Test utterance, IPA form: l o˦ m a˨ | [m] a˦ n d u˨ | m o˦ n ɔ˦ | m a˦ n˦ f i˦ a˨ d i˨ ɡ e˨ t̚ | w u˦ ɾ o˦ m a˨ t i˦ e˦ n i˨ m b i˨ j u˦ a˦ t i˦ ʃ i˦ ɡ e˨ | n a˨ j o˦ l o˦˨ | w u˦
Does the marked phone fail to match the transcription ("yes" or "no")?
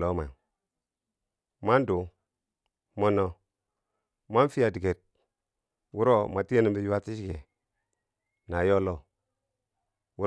no